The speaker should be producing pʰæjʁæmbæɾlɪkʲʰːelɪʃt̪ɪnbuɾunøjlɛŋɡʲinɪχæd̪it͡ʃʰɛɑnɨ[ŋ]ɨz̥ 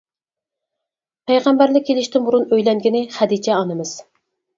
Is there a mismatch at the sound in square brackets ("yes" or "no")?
yes